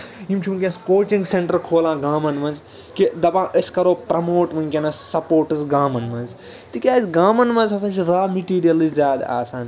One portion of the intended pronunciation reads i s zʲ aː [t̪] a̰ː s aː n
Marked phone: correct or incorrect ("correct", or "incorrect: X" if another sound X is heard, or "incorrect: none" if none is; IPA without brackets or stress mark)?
incorrect: d̪